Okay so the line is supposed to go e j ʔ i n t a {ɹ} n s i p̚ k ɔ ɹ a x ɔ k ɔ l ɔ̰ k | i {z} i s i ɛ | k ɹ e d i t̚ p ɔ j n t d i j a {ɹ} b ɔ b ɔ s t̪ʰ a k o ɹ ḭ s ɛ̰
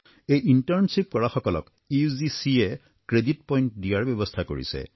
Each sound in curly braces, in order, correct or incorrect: correct, correct, correct

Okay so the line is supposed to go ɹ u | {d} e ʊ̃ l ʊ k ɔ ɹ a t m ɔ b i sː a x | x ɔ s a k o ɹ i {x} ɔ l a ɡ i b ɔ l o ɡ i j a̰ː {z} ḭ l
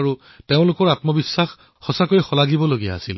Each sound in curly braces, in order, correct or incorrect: incorrect, correct, incorrect

